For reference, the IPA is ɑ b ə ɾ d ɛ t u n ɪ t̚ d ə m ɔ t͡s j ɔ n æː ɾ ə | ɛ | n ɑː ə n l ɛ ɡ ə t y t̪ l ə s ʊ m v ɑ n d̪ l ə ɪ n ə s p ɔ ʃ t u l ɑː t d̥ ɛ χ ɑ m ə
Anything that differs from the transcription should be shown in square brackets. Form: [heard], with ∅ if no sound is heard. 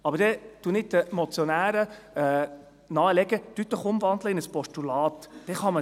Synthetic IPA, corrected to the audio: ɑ b ə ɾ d ɛ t u n ɪ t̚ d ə m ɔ t͡s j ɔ n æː ɾ ə | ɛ | n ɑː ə [∅] l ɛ ɡ ə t y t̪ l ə [χ] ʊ m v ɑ n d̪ l ə ɪ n ə s p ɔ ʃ t u l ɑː t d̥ ɛ χ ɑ m ə